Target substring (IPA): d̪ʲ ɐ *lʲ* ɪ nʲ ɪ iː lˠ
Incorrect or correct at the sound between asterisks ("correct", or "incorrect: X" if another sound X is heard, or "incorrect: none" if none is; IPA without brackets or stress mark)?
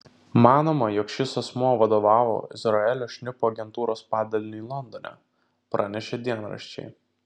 correct